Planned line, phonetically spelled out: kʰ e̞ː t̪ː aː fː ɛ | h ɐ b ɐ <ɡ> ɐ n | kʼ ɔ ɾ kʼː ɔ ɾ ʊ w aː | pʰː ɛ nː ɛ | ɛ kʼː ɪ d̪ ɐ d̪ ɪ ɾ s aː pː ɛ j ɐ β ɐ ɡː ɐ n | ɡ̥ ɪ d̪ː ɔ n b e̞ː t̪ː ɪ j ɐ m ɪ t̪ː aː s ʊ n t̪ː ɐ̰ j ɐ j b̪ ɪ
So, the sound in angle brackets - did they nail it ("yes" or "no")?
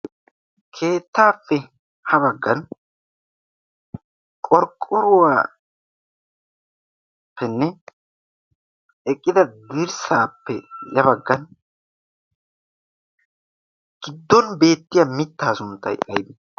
no